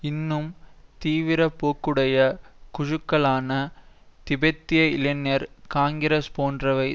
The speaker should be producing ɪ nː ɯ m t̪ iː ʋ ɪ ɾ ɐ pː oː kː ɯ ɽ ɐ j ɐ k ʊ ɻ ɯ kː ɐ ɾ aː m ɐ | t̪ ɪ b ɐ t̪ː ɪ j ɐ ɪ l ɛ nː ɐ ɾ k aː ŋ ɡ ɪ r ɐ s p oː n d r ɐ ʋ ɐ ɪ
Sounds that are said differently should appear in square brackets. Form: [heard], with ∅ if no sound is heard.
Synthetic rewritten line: ɪ nː ɯ m t̪ iː ʋ ɪ ɾ ɐ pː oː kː ɯ ɽ ɐ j ɐ k ʊ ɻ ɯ kː ɐ [ɭ] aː [n] ɐ | t̪ ɪ b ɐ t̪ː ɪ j ɐ ɪ l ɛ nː ɐ ɾ k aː ŋ ɡ ɪ [ɾ] ɐ s p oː n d r ɐ ʋ ɐ ɪ